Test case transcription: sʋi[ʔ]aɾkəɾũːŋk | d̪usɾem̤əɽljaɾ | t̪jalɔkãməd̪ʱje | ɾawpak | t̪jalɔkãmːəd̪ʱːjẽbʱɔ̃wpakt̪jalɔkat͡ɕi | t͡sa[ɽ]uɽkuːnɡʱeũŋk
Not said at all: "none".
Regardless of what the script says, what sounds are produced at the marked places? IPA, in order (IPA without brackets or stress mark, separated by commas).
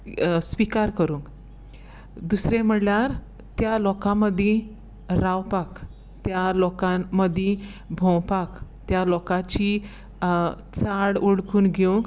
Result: k, ɽ